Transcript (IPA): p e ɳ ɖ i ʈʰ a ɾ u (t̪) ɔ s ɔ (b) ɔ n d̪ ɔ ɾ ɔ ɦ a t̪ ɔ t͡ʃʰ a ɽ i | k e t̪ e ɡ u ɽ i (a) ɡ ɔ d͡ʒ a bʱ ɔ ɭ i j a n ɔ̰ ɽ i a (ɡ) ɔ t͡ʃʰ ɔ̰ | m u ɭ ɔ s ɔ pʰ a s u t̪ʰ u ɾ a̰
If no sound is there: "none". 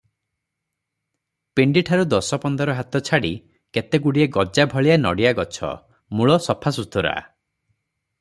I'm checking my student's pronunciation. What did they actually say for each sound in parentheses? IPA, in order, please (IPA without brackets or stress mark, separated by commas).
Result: d̪, p, e, ɡ